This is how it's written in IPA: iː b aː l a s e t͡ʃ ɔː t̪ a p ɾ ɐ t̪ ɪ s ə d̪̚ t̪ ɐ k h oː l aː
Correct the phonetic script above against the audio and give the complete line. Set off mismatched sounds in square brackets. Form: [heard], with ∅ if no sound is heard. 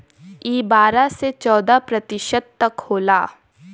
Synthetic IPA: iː b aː [ɾ] a s e t͡ʃ ɔː [d̪] a p ɾ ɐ t̪ ɪ [ʃ] ə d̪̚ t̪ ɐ k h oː l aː